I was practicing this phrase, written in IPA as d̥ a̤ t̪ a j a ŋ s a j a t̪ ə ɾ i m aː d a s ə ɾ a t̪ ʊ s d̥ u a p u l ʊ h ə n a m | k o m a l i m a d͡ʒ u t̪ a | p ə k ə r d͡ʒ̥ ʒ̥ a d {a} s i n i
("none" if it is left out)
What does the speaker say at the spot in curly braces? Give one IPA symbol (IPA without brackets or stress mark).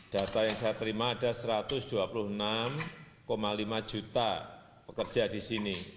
i